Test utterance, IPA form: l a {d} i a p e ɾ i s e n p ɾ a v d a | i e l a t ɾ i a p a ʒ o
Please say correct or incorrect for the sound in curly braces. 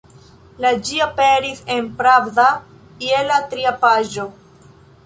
incorrect